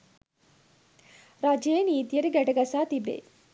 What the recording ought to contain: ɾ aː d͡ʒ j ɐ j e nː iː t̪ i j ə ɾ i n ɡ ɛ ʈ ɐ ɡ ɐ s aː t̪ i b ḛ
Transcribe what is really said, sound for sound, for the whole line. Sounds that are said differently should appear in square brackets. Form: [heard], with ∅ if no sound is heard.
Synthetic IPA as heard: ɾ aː d͡ʒ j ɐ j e [n] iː t̪ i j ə ɾ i [∅] ɡ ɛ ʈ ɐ ɡ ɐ s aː t̪ i b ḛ